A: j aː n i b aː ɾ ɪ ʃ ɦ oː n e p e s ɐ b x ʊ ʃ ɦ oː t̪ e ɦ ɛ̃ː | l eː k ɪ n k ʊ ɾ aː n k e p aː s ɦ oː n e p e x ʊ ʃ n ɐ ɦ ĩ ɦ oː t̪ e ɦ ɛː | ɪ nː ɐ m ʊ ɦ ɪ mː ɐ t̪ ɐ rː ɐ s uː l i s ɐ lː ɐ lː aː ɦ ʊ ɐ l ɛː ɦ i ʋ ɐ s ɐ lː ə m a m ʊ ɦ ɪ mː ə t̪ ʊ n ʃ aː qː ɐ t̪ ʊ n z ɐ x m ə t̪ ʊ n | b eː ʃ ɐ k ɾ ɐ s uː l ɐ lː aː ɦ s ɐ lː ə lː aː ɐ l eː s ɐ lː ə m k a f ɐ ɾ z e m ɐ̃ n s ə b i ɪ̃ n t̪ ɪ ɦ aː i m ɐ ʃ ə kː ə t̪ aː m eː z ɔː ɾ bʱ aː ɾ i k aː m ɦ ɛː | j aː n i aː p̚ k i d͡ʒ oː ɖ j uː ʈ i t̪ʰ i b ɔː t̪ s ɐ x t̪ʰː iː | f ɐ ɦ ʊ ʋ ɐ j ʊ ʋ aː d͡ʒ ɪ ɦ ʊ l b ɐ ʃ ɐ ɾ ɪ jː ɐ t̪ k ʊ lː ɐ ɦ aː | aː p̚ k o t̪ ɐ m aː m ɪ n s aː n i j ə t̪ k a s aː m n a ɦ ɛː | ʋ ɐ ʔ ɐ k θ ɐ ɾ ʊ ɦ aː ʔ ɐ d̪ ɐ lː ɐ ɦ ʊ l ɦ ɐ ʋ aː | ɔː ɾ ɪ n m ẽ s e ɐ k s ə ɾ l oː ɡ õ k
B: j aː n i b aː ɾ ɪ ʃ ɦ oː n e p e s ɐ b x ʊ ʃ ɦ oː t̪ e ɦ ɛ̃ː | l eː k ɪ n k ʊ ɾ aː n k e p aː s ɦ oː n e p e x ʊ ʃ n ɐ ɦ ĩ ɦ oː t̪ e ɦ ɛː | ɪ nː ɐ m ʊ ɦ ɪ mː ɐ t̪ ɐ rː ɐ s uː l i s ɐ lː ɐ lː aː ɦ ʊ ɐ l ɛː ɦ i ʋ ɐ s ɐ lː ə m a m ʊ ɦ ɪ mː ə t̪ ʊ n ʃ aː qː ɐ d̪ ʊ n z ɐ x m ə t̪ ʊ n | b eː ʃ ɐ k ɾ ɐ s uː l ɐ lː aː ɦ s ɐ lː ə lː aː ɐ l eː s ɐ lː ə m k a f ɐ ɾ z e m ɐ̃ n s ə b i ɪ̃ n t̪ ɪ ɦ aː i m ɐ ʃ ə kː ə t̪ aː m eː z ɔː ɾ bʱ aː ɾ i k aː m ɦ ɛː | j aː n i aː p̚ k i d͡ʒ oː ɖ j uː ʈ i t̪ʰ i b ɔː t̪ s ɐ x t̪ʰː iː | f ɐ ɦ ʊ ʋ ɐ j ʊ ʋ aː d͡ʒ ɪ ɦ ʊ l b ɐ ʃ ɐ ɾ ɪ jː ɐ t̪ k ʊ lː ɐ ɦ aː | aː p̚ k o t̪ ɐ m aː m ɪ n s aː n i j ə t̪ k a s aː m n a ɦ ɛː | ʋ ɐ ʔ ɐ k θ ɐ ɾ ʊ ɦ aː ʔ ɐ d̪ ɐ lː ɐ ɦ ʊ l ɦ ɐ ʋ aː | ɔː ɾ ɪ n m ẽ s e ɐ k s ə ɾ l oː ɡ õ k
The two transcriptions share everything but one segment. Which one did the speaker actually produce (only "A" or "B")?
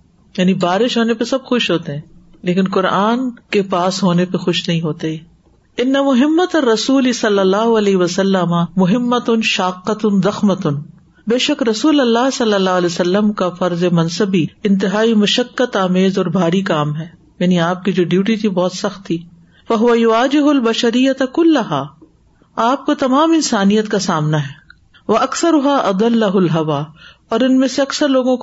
A